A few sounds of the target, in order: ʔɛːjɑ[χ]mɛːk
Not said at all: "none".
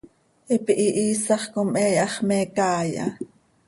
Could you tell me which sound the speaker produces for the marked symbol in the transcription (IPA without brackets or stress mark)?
χ